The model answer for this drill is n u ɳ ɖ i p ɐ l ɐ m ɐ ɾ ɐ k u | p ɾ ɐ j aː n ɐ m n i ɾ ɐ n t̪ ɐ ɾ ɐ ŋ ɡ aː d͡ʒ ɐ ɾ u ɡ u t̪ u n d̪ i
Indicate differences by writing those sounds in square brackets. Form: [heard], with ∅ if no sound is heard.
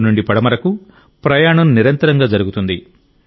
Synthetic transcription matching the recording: n u ɳ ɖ i p ɐ [ɽ] ɐ m ɐ ɾ ɐ k u | p ɾ ɐ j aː [ɳ] ɐ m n i ɾ ɐ n t̪ ɐ ɾ ɐ ŋ ɡ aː d͡ʒ ɐ ɾ u ɡ u t̪ u n d̪ i